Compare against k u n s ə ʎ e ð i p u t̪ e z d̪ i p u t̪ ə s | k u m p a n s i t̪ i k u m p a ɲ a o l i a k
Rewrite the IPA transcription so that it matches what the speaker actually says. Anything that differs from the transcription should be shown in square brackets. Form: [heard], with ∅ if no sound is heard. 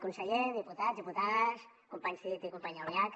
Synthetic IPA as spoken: k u n s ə ʎ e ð i p u t̪ [a] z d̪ i p u t̪ [a] s | k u m p a [ɲ] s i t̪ i k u m p a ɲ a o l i a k